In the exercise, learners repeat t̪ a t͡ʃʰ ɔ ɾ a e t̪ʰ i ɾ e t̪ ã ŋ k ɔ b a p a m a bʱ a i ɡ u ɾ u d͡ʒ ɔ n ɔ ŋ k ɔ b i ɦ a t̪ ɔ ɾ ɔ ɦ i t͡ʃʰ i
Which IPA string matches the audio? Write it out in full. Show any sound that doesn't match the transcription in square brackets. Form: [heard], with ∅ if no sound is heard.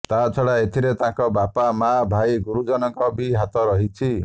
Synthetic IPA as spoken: t̪ a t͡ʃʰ ɔ [ɭ] a e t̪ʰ i ɾ e t̪ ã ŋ k ɔ b a p a m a bʱ a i ɡ u ɾ u d͡ʒ ɔ n ɔ ŋ k ɔ b i ɦ a t̪ ɔ ɾ ɔ ɦ i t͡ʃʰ i